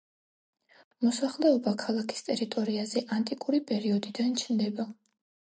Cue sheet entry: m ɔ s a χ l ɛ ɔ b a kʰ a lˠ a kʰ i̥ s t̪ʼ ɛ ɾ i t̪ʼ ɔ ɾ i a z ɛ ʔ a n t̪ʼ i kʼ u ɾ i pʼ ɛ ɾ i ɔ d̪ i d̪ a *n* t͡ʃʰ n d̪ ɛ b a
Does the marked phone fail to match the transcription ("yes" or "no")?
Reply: no